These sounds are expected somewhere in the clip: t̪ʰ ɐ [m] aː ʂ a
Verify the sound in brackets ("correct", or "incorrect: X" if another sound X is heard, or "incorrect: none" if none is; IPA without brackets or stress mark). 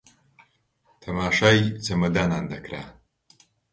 correct